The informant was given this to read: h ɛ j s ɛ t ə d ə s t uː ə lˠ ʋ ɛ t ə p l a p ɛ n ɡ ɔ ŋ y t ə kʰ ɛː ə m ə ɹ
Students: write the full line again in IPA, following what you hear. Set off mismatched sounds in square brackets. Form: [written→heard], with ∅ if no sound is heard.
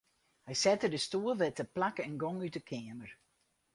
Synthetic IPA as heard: h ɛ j s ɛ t ə d ə s t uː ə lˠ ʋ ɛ t ə p l a [p→k] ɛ n ɡ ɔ ŋ y t ə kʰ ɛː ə m ə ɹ